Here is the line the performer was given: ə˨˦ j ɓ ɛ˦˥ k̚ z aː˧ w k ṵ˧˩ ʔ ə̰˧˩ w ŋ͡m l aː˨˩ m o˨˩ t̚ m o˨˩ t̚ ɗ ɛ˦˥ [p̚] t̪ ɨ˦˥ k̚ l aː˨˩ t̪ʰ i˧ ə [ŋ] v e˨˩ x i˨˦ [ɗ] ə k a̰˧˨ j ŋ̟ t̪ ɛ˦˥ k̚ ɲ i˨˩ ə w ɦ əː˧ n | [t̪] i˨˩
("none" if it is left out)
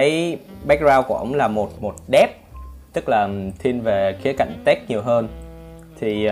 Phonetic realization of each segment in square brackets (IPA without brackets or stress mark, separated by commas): p̚, n, none, t̪ʰ